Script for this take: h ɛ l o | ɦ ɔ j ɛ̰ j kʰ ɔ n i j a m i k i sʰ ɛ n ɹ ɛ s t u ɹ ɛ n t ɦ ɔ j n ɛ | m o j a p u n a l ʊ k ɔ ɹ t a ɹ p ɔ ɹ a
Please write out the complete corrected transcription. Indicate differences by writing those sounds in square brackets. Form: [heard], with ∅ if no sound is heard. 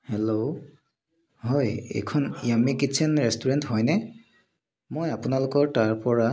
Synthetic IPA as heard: h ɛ l o | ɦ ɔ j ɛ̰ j kʰ ɔ n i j a m i k i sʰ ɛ n ɹ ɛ s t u ɹ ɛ n t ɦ ɔ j n ɛ | m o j a p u n a l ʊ k ɔ ɹ t a ɹ p ɔ ɹ a